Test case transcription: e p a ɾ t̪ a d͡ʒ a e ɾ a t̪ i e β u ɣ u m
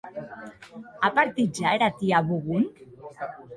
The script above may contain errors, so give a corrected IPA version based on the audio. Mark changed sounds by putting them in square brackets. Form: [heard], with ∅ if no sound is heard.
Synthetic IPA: [a] p a ɾ t̪ [i] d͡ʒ a e ɾ a t̪ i [a] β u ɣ u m